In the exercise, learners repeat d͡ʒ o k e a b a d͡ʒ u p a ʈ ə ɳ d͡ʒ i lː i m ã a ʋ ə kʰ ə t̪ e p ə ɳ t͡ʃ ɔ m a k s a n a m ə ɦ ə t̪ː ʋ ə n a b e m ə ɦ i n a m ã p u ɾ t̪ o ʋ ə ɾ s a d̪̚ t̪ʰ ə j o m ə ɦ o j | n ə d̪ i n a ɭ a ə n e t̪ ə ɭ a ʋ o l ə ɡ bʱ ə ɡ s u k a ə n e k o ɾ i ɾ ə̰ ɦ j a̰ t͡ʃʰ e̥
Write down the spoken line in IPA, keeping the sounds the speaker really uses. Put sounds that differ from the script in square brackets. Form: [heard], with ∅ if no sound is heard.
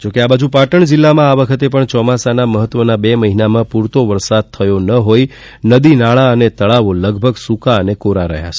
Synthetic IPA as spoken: d͡ʒ o k e a b a d͡ʒ u p a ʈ ə ɳ d͡ʒ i lː [a] m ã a ʋ ə kʰ ə t̪ e p ə ɳ t͡ʃ ɔ m a [∅] s a n a m ə ɦ ə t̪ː ʋ ə n a b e m ə ɦ i n a m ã p u ɾ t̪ o ʋ ə ɾ s a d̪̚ t̪ʰ ə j o [n] ə ɦ o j | n ə d̪ i n a ɭ a ə n e t̪ ə ɭ a ʋ o l ə ɡ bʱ ə ɡ s u k a ə n e k o ɾ [a] ɾ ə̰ ɦ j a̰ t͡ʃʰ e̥